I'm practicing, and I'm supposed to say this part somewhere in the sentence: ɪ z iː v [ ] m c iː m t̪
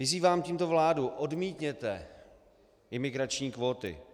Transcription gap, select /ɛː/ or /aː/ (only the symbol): aː